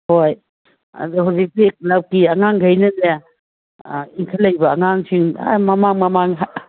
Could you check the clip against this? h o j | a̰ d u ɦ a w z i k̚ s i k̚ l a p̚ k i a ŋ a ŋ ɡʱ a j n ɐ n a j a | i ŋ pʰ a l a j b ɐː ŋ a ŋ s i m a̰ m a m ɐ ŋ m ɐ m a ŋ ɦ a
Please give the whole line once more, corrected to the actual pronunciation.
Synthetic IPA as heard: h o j | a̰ d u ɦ a w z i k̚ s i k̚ l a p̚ k i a ŋ a ŋ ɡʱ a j n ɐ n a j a | i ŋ kʰ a l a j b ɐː ŋ a ŋ s i ŋ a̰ m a m a ŋ m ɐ m a ŋ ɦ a